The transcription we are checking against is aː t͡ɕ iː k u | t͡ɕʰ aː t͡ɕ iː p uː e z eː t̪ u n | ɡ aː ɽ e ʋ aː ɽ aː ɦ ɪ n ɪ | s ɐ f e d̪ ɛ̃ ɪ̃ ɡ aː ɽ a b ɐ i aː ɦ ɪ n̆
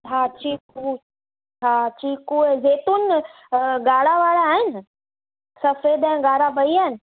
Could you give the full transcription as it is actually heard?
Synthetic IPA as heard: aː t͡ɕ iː k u | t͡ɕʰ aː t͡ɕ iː k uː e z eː t̪ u n | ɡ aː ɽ a ʋ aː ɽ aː ɦ ɪ n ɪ | s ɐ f e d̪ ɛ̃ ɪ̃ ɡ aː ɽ a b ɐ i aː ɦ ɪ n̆